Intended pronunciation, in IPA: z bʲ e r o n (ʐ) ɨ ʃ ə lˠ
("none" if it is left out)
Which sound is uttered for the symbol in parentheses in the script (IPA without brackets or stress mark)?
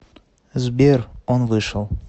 v